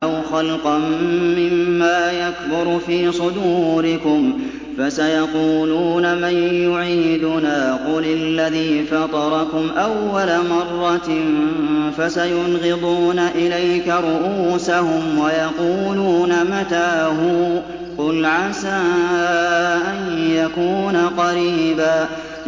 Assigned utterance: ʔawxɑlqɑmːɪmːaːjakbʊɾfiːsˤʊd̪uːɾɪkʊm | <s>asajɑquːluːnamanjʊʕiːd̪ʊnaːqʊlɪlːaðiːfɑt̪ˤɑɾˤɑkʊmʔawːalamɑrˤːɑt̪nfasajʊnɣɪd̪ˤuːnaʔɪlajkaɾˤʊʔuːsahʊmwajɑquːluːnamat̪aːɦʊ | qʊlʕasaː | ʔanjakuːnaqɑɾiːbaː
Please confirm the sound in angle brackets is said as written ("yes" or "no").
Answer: no